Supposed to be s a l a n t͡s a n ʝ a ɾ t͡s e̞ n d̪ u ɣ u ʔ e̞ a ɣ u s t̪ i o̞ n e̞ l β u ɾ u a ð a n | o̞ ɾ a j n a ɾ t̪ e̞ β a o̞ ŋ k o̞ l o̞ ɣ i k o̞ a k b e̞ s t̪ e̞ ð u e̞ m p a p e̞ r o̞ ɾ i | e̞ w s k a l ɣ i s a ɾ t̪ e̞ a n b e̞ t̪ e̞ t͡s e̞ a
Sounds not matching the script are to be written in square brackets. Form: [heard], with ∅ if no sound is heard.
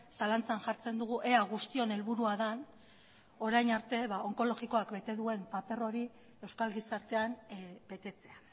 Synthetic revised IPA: s a l a n t͡s a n ʝ a ɾ t͡s e̞ n d̪ u ɣ u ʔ e̞ a ɣ u s t̪ i o̞ n e̞ l β u ɾ u a ð a n | o̞ ɾ a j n a ɾ t̪ e̞ β a o̞ ŋ k o̞ l o̞ ɣ i k o̞ a k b e̞ [∅] t̪ e̞ ð u e̞ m p a p e̞ r o̞ ɾ i | e̞ w s k a l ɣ i s a ɾ t̪ e̞ a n b e̞ t̪ e̞ t͡s e̞ a